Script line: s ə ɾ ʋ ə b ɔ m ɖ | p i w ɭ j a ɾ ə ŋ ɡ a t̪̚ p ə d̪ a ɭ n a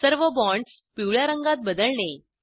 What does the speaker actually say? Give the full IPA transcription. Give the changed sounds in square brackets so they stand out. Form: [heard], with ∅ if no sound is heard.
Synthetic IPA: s ə ɾ ʋ ə b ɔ [ɳ] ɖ | p i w ɭ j a ɾ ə ŋ ɡ a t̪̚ [b] ə d̪ [ə] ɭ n [e]

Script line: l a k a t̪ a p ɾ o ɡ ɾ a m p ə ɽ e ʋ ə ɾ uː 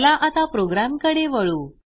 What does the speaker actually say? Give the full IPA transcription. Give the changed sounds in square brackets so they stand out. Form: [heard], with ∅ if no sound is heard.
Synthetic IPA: l a [ʔ] a t̪ a p ɾ o ɡ ɾ a m [k] ə ɽ e ʋ ə [ɭ] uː

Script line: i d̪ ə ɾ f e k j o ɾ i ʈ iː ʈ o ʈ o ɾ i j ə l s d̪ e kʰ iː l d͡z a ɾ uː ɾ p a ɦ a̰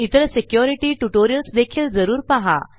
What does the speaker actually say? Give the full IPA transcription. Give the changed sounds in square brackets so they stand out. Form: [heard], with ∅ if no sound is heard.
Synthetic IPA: i [t̪] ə ɾ [s] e k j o ɾ i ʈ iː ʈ [u] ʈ o ɾ i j ə l s d̪ e kʰ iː l d͡z [ə] ɾ uː ɾ p a ɦ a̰

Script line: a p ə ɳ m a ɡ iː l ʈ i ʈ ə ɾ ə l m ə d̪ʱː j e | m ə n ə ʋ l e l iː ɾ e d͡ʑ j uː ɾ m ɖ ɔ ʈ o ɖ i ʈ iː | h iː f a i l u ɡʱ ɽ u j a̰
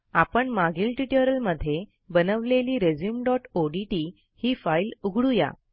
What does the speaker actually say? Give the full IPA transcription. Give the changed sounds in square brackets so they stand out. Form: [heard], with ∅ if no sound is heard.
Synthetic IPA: a p ə ɳ m a ɡ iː l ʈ i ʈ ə ɾ ə l m ə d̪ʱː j e | [b] ə n ə ʋ l e l iː ɾ e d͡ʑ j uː [∅] m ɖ ɔ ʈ o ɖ i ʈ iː | h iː f a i l u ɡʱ ɽ u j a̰

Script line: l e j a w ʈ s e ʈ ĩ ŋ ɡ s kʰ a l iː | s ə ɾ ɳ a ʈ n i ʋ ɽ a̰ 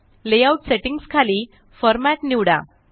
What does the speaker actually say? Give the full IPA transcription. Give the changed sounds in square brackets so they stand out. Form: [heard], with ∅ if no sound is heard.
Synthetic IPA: l e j a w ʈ s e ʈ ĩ ŋ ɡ s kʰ a l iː | [f] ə ɾ [m] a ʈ n i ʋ ɽ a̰

